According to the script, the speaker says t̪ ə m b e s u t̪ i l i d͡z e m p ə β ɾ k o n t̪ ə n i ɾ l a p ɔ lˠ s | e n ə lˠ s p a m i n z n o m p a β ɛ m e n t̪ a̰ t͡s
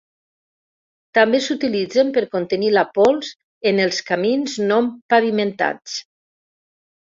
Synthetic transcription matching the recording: t̪ a m b e s u t̪ i l i d͡z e m p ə ɾ k o n t̪ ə n i l a p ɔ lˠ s | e n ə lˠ s k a m i n z n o m p a β i m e n t̪ a̰ t͡s